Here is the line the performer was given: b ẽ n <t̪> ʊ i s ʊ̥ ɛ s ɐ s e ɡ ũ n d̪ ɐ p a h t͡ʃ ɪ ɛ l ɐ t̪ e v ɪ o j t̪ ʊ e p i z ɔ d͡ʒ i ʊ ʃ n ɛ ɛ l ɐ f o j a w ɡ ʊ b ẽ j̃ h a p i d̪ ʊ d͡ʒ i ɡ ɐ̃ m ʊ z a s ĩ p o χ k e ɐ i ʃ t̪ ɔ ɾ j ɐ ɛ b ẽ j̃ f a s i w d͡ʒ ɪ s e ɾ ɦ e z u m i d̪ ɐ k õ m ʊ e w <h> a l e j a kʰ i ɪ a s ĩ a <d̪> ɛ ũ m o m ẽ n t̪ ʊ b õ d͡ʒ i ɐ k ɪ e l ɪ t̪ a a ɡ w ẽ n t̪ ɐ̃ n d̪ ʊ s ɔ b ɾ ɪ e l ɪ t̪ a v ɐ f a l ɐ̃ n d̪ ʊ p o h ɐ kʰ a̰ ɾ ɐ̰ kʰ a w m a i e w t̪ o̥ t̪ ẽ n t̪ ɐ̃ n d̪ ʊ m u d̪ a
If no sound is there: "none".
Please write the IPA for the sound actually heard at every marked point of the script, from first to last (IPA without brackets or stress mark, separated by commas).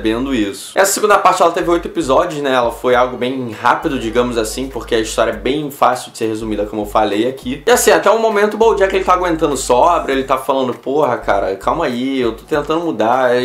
d̪, f, t̪